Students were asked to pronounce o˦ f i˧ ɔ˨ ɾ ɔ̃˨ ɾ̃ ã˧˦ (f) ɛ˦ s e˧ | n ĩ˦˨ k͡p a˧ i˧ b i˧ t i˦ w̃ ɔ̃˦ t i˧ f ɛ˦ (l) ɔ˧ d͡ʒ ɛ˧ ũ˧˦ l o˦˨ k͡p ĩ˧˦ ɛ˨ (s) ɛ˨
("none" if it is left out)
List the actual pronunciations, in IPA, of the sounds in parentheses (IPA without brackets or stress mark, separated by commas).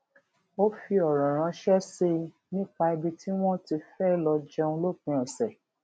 ʃ, l, s